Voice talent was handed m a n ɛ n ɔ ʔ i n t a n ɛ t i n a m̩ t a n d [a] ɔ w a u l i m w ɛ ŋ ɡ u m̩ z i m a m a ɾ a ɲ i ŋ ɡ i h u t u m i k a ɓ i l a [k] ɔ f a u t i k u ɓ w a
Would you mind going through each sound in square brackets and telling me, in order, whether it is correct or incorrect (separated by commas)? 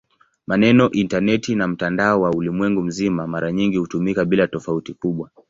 correct, incorrect